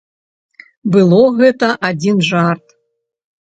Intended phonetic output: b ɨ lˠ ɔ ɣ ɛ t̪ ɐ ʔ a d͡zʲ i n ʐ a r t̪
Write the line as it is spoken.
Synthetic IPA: b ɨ lˠ ɔ ɣ ɛ t̪ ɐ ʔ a d͡zʲ i n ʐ a r t̪

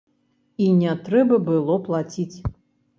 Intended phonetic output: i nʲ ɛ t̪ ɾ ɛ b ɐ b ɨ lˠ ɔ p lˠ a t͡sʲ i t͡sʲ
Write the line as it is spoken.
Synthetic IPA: i nʲ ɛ t̪ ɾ ɛ b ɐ b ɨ lˠ ɔ p lˠ a t͡sʲ i t͡sʲ

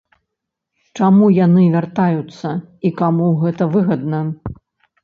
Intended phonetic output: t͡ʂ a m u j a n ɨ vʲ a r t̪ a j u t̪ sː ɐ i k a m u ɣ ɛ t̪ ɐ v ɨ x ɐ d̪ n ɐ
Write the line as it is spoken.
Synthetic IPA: t͡ʂ a m u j a n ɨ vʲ a r t̪ a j u t̪ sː ɐ i k a m u ɣ ɛ t̪ ɐ v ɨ ɣ ɐ d̪ n ɐ

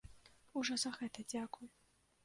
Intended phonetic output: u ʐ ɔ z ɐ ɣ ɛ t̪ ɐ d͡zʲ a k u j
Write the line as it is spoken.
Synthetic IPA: u ʐ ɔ z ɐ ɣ ɛ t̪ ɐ d͡zʲ a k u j

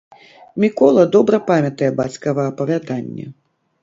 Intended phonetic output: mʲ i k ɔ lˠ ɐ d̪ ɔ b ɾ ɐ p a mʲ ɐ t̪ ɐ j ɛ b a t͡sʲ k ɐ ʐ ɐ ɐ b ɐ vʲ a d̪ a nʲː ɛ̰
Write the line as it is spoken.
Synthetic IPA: mʲ i k ɔ lˠ ɐ d̪ ɔ b ɾ ɐ p a mʲ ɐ t̪ ɐ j ɛ b a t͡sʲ k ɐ v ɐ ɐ p ɐ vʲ a d̪ a nʲː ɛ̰

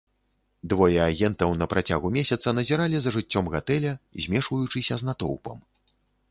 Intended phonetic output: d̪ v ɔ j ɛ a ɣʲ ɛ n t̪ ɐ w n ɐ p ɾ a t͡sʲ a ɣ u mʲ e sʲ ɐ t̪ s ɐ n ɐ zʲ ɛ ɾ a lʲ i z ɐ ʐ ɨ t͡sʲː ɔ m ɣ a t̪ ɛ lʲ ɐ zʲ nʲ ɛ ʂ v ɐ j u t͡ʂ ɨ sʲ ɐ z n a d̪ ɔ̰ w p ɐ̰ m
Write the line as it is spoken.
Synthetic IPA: d̪ v ɔ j ɛ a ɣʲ ɛ n t̪ ɐ w n ɐ p ɾ a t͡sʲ a ɣ u mʲ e sʲ ɐ t̪ s ɐ n ɐ zʲ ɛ ɾ a lʲ i z ɐ ʐ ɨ t͡sʲː ɔ m ɣ a t̪ ɛ lʲ ɐ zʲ mʲ ɛ ʂ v ɐ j u t͡ʂ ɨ sʲ ɐ z n a t̪ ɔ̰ w p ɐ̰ m

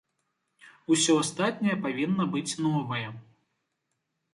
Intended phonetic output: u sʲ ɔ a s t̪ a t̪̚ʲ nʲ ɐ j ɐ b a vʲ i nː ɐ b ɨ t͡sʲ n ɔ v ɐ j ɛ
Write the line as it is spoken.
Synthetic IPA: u sʲ ɔ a s t̪ a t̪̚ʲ nʲ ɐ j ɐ p a vʲ i nː ɐ b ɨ t͡sʲ n ɔ v ɐ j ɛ

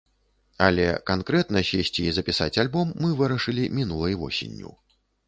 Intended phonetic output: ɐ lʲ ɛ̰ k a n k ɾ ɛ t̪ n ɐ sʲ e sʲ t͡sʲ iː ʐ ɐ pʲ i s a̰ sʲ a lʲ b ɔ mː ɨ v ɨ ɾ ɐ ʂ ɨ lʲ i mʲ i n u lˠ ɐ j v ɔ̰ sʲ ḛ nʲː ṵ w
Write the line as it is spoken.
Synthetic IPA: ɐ lʲ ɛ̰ k a n k ɾ ɛ t̪ n ɐ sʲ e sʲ t͡sʲ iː z ɐ pʲ i s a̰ t͡sʲ a lʲ b ɔ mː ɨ v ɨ ɾ ɐ ʂ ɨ lʲ i mʲ i n u lˠ ɐ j v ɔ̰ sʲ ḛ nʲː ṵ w

